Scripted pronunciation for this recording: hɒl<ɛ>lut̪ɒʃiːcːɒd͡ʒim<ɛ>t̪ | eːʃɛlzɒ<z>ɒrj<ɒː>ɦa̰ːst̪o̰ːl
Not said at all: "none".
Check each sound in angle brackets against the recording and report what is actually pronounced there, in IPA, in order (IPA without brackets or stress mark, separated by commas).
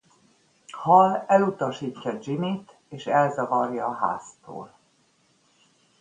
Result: ɛ, i, v, ɒː